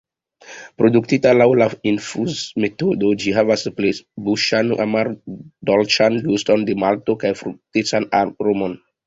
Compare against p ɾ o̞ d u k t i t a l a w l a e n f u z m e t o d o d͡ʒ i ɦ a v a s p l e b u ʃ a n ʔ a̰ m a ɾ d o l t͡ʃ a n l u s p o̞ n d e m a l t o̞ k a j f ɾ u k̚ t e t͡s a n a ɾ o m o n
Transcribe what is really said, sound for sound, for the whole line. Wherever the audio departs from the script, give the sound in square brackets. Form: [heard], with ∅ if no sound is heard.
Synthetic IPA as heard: p ɾ o̞ d u k t i t a l a w l a [i] n f u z m e t o d o d͡ʒ i ɦ a v a s p l e b u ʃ a n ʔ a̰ m a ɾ d o l t͡ʃ a n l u s [t] o̞ n d e m a l t o̞ k a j f ɾ u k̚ t e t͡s a n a ɾ o m o n